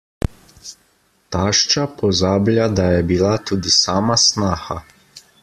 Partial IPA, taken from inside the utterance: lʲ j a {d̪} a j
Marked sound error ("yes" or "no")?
no